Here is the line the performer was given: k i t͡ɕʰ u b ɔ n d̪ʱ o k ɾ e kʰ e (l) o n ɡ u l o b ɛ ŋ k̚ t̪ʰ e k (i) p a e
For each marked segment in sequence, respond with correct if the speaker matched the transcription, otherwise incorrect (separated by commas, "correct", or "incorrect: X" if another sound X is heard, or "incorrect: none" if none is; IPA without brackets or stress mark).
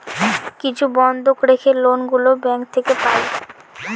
correct, incorrect: e